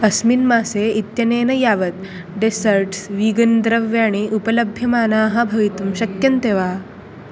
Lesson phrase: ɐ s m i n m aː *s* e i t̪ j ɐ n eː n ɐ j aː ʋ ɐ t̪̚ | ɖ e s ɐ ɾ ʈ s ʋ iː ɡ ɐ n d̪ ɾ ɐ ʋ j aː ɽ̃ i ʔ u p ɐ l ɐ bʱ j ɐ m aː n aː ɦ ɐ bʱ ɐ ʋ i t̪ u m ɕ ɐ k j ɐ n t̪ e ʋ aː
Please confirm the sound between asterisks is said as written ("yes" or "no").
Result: yes